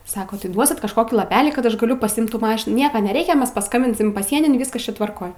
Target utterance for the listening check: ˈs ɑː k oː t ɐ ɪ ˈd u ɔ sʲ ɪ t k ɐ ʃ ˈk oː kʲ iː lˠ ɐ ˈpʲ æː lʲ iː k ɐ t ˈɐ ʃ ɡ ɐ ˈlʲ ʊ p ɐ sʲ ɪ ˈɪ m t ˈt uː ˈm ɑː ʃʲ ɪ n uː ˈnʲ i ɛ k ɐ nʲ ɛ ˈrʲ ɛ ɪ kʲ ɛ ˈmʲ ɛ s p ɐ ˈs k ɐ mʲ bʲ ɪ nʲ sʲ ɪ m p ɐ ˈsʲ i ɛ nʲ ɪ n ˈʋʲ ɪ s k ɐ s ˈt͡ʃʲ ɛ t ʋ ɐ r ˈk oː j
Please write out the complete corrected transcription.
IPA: ˈs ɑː k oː t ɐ ɪ ˈd u ɔ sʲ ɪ t k ɐ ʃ ˈk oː kʲ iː lˠ ɐ ˈpʲ æː lʲ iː k ɐ t ˈɐ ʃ ɡ ɐ ˈlʲ ʊ p ɐ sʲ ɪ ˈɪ m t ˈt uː ˈm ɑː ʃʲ ɪ n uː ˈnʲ i ɛ k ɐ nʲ ɛ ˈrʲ ɛ ɪ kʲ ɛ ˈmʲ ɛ s p ɐ ˈs k ɐ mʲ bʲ ɪ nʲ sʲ ɪ m p ɐ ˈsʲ i ɛ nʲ ɪ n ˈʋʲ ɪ s k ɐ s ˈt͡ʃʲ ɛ t ʋ ɐ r ˈk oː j